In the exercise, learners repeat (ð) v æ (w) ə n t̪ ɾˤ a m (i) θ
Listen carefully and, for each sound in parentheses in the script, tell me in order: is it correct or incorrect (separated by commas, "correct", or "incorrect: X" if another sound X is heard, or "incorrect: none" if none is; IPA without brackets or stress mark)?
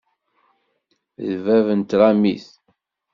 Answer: correct, incorrect: v, correct